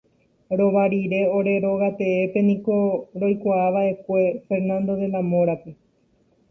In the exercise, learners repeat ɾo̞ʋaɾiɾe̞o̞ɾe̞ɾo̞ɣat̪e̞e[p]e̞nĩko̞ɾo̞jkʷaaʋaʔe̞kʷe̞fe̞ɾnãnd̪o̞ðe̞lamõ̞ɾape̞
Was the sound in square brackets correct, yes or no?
yes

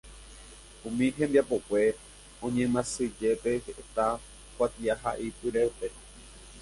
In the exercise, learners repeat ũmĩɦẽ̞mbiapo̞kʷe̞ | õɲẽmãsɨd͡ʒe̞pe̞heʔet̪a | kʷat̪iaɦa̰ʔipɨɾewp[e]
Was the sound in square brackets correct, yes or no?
yes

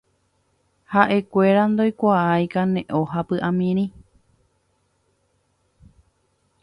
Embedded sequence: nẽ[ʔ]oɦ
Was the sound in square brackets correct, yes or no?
yes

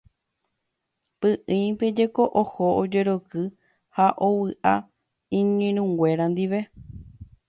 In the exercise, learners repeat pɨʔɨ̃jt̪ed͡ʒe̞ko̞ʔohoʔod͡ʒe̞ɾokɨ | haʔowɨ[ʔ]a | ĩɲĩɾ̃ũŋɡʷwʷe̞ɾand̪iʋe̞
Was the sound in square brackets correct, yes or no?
yes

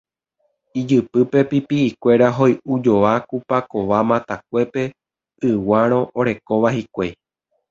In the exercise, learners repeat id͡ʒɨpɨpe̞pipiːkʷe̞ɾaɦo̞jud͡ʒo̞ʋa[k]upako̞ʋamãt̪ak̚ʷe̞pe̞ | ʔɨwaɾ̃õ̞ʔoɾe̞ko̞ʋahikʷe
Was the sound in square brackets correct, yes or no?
yes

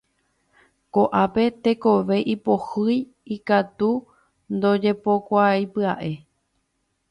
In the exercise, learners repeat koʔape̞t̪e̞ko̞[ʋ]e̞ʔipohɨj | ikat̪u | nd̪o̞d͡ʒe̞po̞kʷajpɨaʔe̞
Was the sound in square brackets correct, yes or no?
yes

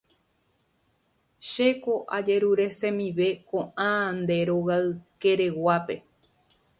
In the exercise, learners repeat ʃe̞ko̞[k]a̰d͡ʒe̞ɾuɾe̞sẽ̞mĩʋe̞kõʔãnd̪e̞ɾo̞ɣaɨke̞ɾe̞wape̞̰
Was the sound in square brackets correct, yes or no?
no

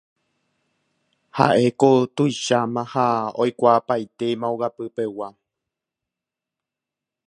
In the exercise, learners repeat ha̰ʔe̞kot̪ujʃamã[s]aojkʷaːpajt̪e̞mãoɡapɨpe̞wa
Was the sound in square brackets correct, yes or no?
no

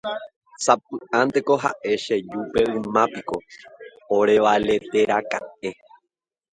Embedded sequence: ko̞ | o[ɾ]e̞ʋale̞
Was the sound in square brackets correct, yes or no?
yes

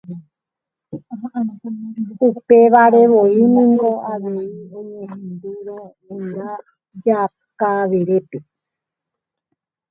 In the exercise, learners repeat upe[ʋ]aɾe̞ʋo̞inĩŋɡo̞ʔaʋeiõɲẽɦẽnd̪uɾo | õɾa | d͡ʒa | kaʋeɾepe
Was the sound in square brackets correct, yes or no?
yes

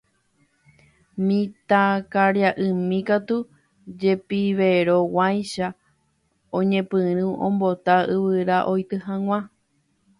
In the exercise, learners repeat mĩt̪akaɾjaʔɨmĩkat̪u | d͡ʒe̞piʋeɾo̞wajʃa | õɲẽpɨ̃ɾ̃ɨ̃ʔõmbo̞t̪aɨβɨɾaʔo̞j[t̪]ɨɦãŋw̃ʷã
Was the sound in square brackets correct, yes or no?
yes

